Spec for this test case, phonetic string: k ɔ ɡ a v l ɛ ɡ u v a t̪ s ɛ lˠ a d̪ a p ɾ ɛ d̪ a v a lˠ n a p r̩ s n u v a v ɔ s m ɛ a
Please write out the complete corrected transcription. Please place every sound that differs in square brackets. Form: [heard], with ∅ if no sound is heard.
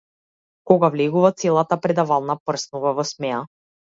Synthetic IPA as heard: k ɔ ɡ a v l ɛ ɡ u v a t̪ s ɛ lˠ a [t̪] a p ɾ ɛ d̪ a v a lˠ n a p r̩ s n u v a v ɔ s m ɛ a